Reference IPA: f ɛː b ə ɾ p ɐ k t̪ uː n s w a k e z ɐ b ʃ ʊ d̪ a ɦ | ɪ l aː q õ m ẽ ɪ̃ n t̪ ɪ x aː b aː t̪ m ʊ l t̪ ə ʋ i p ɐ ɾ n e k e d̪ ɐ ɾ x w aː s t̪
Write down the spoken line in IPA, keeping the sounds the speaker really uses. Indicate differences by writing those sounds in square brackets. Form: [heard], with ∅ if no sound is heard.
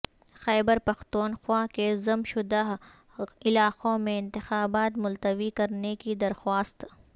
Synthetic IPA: [x] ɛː b ə ɾ p ɐ [x] t̪ uː n [x] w a k e z ɐ [m] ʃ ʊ d̪ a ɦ | ɪ l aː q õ m ẽ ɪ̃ n t̪ ɪ x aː b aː t̪ m ʊ l t̪ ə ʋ i [k] ɐ ɾ n e k [i] d̪ ɐ ɾ x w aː s t̪